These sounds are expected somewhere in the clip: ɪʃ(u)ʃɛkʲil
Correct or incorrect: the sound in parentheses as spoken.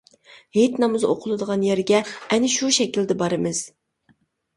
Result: correct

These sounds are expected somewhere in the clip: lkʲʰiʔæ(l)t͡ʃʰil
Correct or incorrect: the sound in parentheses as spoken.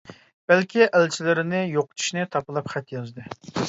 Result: correct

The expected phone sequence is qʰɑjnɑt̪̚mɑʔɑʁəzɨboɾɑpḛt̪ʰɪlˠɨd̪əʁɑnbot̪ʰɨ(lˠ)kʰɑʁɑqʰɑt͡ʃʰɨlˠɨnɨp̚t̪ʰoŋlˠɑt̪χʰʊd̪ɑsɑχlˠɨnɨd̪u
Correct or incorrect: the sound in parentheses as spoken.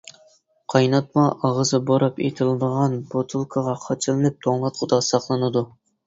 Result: correct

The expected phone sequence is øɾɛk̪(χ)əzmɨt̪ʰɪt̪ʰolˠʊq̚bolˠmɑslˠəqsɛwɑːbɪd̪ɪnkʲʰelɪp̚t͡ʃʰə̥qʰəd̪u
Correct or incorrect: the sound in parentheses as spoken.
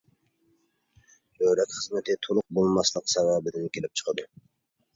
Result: correct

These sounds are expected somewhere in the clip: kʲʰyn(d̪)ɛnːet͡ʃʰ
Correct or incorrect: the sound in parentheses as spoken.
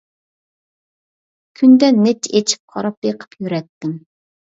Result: correct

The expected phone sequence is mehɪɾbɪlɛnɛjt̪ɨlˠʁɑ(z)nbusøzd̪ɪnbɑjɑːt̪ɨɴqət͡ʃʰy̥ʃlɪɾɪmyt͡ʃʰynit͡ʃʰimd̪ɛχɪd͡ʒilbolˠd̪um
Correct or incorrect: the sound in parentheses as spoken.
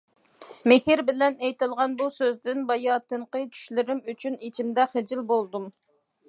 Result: incorrect: none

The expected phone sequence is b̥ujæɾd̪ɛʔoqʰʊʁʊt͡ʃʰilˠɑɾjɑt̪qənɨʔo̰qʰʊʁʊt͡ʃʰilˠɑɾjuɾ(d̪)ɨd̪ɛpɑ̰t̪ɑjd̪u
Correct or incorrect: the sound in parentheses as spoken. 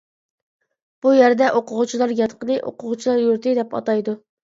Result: incorrect: t̪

